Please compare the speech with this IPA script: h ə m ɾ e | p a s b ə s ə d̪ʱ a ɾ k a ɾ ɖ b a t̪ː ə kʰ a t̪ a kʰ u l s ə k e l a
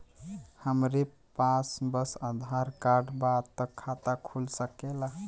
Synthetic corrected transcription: h ə m ɾ e | p a s b ə s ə d̪ʱ a ɾ k a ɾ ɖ b a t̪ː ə kʰ a t̪ a kʰ u l s ə k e l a